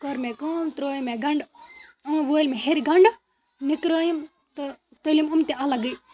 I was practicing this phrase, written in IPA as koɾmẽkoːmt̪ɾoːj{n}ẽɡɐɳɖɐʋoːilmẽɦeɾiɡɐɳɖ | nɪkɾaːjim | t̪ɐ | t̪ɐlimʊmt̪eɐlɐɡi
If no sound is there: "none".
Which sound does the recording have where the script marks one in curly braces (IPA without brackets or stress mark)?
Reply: m